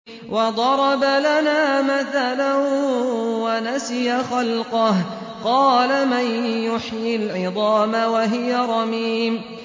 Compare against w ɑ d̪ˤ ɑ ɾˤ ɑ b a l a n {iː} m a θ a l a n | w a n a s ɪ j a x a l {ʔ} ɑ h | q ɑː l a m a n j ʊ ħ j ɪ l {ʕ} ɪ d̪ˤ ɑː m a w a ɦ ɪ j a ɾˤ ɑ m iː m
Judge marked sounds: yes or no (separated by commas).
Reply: no, no, yes